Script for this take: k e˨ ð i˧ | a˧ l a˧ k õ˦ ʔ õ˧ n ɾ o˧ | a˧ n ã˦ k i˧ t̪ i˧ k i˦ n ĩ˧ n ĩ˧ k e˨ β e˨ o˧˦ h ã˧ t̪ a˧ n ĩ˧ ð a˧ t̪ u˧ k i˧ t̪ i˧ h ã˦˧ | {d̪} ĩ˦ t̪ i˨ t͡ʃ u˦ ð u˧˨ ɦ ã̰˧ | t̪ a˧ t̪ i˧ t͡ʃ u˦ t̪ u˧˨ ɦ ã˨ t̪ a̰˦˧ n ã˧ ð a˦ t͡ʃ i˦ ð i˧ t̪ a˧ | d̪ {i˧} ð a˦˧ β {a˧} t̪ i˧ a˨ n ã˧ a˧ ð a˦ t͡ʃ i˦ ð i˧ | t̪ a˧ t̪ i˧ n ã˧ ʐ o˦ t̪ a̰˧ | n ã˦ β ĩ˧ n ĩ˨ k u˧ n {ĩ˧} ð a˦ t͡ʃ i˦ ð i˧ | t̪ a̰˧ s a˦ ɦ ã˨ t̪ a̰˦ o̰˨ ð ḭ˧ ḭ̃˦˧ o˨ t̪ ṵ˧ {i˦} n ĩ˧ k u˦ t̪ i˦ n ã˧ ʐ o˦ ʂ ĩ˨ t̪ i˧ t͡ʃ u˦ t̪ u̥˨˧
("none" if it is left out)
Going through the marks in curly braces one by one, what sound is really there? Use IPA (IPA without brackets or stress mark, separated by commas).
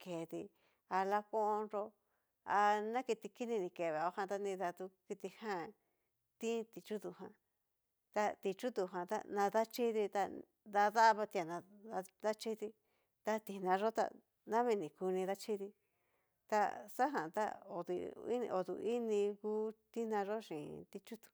t̪, a˧, a˧, ĩ˧, i˦